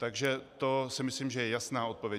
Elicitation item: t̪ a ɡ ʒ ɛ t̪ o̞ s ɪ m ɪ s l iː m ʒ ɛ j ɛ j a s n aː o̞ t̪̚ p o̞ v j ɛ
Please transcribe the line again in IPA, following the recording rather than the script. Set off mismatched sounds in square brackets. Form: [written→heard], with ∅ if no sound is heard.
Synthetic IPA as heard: t̪ a ɡ ʒ ɛ t̪ o̞ s ɪ m ɪ s l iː m ʒ ɛ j ɛ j a s n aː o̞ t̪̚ p o̞ v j ɛ